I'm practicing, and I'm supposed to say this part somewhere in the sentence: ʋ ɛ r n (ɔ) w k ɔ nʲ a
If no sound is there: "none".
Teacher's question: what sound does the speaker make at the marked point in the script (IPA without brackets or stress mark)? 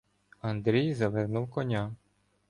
u